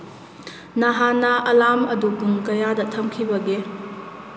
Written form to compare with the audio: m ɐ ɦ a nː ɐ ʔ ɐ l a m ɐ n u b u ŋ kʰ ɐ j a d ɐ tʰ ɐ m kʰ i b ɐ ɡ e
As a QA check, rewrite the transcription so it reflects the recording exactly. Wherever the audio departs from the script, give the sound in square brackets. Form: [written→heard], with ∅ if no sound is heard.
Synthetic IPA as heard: [m→n] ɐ ɦ a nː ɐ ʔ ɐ l a m ɐ [n→d] u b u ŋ [kʰ→k] ɐ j a d ɐ tʰ ɐ m kʰ i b ɐ ɡ e